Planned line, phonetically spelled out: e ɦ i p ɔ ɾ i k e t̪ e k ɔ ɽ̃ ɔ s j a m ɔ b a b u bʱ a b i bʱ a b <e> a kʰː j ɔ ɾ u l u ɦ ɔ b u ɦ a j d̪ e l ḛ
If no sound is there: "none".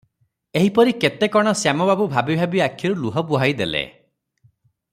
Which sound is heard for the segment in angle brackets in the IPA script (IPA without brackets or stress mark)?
i